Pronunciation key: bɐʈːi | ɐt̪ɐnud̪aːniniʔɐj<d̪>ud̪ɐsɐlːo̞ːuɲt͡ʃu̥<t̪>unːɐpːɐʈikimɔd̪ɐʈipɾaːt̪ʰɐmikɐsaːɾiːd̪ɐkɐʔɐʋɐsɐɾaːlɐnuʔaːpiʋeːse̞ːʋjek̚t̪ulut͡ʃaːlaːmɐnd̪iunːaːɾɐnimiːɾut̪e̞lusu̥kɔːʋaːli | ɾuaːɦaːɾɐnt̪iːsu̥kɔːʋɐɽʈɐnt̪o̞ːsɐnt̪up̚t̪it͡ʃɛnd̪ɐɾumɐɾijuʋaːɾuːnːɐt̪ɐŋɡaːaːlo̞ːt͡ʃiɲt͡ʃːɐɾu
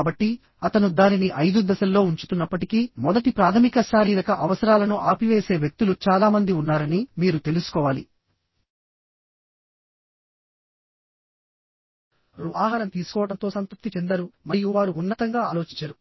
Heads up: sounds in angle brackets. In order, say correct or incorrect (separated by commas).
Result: correct, correct